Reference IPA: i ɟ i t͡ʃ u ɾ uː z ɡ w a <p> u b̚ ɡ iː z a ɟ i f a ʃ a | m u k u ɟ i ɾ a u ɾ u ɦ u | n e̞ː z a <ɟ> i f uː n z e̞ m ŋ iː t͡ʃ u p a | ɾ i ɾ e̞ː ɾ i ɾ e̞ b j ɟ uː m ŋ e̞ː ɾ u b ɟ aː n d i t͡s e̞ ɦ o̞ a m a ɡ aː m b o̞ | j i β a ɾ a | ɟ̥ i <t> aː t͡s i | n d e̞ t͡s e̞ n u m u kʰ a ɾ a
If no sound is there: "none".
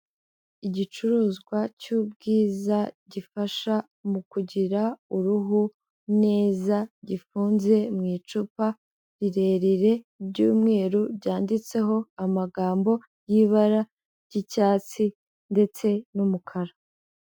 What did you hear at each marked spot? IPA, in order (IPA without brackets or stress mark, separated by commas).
c, ɟ, c